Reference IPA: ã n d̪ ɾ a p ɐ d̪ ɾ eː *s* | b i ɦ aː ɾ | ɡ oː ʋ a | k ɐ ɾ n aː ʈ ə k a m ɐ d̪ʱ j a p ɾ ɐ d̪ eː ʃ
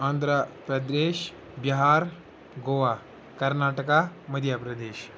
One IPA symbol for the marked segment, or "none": ʃ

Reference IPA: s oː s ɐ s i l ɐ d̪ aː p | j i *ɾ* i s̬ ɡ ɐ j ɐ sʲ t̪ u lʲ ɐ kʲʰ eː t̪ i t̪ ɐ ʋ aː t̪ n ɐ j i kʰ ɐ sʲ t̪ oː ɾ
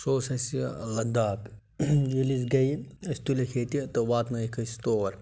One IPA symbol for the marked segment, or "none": l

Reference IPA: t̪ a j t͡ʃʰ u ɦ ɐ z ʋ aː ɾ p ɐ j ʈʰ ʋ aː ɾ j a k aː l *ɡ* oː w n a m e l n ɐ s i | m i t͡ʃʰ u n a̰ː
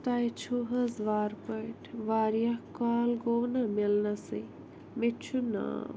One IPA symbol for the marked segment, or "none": ɡ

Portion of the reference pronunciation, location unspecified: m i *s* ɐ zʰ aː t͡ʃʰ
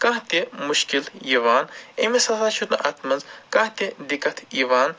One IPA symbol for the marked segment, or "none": s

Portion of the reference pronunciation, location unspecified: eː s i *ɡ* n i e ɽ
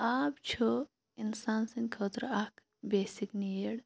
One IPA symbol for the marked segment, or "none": k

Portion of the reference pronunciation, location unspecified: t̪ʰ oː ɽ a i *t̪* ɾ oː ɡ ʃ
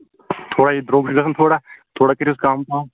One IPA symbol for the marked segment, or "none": d̪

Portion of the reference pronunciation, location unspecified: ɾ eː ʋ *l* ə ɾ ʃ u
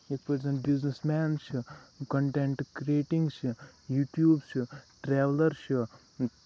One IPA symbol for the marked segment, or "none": l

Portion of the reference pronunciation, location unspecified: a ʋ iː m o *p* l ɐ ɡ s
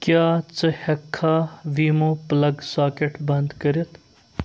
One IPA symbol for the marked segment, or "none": p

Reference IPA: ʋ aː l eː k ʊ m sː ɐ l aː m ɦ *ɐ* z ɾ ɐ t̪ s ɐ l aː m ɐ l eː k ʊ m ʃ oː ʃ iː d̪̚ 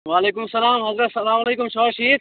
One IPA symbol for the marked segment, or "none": ɐ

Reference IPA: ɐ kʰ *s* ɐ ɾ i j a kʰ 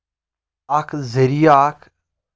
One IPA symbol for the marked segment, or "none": z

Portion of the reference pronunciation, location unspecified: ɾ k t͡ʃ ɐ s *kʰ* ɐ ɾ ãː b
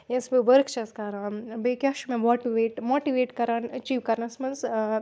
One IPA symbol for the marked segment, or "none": k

